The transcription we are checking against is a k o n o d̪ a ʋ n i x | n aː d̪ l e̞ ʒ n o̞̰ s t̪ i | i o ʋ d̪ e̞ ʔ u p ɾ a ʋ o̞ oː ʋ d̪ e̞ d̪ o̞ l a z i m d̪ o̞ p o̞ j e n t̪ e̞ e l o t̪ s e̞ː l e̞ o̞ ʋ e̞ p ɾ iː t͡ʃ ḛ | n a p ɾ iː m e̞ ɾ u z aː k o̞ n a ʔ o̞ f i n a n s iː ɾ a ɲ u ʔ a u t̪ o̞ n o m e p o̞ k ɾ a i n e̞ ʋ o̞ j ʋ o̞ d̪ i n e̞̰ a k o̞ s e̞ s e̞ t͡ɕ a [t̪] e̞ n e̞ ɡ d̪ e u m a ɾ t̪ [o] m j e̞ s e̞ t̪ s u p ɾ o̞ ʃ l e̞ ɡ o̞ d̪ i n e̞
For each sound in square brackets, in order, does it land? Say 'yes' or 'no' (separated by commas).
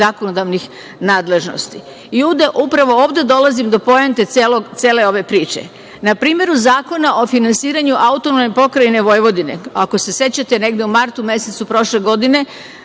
yes, no